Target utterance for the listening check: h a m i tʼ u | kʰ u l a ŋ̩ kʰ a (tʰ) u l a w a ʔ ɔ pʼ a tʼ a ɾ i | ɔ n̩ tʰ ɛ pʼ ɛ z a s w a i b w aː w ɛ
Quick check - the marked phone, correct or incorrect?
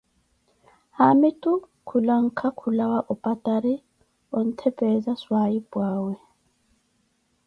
incorrect: kʰ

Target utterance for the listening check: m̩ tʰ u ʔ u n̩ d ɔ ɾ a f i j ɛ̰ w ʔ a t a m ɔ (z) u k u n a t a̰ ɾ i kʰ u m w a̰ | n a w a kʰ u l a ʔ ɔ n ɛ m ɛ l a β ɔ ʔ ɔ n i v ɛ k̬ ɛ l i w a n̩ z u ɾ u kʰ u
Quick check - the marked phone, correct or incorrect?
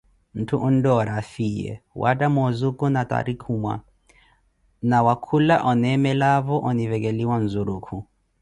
correct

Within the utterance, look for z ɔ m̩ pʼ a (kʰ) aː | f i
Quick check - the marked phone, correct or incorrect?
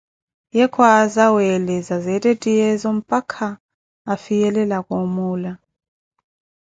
correct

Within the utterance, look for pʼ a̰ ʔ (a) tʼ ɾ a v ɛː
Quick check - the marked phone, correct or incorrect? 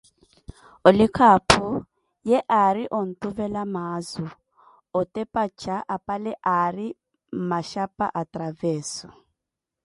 correct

